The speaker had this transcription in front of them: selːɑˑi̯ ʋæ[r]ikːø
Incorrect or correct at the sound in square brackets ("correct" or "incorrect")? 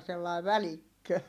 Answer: incorrect